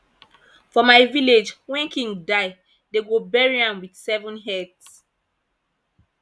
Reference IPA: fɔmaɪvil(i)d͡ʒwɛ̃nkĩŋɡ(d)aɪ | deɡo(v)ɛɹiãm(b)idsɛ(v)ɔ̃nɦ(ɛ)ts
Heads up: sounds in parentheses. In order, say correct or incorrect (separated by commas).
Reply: incorrect, correct, incorrect, incorrect, correct, correct